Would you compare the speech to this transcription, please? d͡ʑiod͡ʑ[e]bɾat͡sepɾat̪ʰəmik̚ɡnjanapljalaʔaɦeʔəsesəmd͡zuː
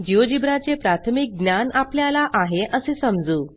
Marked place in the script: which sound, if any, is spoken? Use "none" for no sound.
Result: i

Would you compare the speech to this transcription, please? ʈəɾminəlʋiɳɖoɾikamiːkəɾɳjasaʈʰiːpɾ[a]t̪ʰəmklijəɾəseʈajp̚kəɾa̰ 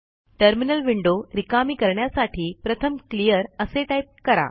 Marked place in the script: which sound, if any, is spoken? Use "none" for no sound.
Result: ə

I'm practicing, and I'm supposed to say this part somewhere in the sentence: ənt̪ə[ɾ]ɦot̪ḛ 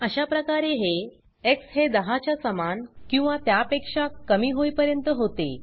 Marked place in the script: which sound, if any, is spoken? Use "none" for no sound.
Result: none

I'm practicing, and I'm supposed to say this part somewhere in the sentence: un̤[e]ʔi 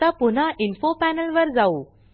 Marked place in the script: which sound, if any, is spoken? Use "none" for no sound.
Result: a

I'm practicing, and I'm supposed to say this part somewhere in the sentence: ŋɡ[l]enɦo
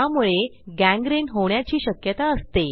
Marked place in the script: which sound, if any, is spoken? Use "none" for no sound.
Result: ɾ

